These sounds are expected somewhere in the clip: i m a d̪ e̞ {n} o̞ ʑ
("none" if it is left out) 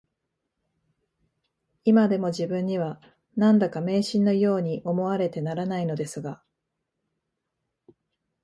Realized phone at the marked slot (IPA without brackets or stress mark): m